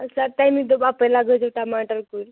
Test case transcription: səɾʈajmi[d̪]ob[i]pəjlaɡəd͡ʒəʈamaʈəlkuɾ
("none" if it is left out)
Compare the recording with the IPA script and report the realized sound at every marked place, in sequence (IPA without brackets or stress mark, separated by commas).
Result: d̪, a